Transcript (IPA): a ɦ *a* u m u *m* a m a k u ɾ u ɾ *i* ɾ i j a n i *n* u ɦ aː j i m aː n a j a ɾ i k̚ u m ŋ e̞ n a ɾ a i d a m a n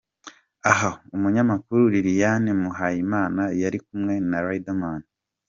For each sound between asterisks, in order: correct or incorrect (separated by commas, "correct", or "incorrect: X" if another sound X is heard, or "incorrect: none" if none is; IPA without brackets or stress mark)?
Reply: correct, incorrect: ɲ, correct, incorrect: m